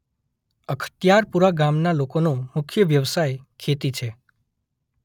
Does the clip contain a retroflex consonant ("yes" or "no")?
no